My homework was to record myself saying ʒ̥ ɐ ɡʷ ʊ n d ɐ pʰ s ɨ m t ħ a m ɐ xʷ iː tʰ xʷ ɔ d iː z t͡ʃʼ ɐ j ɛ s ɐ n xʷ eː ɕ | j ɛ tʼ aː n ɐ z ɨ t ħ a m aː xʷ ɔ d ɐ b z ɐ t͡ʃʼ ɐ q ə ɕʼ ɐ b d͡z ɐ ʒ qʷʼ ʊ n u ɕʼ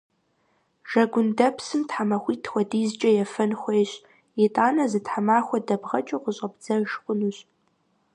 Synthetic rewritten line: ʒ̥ ɐ ɡʷ ʊ n d ɐ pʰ s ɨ m t ħ a m ɐ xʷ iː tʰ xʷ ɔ d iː z t͡ʃʼ ɐ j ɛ f ɐ n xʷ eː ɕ | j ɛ tʼ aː n ɐ z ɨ t ħ a m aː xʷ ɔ d ɐ b ʁ ɐ t͡ʃʼ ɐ q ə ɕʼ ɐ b d͡z ɐ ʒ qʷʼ ʊ n u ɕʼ